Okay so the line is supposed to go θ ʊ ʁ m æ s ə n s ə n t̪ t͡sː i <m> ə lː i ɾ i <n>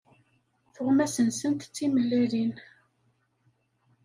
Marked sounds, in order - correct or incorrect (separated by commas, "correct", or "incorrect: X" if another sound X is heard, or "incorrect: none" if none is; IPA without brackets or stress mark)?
correct, correct